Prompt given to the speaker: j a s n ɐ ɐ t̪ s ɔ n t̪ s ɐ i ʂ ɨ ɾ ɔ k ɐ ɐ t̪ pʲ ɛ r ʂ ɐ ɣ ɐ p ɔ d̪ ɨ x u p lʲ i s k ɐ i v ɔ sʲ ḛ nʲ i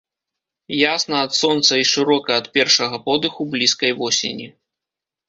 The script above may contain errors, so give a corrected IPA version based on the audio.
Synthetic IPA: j a s n ɐ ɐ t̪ s ɔ n t̪ s ɐ i ʂ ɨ ɾ ɔ k ɐ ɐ t̪ pʲ ɛ r ʂ ɐ ɣ ɐ p ɔ d̪ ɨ x u b lʲ i s k ɐ j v ɔ sʲ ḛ nʲ i